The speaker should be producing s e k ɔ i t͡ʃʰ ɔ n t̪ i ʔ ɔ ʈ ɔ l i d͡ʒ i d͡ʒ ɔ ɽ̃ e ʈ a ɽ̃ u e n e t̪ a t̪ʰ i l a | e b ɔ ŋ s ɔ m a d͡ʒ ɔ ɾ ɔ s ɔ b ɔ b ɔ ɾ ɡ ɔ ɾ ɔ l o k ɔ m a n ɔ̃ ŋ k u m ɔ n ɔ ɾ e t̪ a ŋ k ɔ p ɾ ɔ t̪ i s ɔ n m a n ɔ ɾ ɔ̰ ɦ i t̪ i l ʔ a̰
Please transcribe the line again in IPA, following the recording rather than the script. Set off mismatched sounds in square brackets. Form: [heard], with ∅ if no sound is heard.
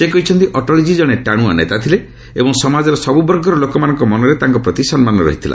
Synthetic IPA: s e k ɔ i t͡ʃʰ ɔ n t̪ i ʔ ɔ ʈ ɔ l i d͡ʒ i d͡ʒ ɔ ɽ̃ e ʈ a ɽ̃ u [a] n e t̪ a t̪ʰ i l [e] | e b ɔ ŋ s ɔ m a d͡ʒ ɔ ɾ ɔ s ɔ b [u] b ɔ ɾ ɡ ɔ ɾ ɔ l o k ɔ m a n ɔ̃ ŋ k [ɔ] m ɔ n ɔ ɾ e t̪ a ŋ k ɔ p ɾ ɔ t̪ i s ɔ n m a n ɔ ɾ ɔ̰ ɦ i [t̪ʰ] i l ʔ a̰